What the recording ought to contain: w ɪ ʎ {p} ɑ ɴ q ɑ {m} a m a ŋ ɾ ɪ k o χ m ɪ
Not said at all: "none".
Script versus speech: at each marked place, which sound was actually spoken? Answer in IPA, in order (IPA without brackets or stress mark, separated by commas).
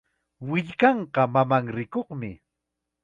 k, m